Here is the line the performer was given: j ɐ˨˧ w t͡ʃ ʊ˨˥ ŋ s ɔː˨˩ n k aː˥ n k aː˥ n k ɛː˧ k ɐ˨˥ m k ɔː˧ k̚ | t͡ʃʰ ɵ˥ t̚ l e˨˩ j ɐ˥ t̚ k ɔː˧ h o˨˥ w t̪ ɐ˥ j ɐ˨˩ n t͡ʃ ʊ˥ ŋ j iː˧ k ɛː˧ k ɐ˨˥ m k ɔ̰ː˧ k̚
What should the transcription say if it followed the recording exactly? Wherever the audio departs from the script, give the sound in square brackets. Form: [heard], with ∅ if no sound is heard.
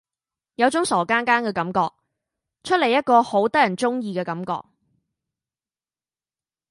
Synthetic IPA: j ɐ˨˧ w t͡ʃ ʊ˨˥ ŋ s ɔː˨˩ [∅] k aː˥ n k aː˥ n k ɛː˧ k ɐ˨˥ m k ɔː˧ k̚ | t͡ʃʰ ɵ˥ t̚ l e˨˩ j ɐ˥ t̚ k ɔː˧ h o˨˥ w t̪ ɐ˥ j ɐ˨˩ n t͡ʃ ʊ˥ ŋ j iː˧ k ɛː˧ k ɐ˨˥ m k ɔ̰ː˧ k̚